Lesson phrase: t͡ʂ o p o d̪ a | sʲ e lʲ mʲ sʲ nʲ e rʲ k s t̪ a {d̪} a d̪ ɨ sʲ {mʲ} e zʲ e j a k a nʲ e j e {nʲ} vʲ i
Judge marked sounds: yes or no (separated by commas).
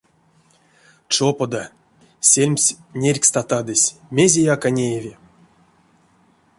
no, yes, no